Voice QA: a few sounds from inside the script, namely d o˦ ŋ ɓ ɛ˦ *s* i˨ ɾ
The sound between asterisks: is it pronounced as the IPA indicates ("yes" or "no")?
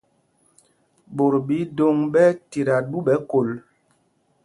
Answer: no